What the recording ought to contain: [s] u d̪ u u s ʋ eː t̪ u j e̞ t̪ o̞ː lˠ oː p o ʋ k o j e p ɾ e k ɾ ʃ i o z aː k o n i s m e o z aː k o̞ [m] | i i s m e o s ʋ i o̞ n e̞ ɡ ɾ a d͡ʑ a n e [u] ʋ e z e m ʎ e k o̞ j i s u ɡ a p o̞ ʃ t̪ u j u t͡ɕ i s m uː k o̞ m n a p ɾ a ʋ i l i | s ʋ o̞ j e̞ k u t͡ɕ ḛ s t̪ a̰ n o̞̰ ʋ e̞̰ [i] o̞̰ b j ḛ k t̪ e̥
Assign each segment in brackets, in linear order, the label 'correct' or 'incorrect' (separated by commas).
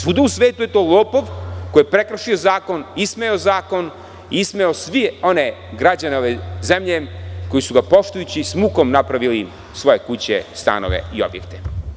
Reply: correct, incorrect, incorrect, correct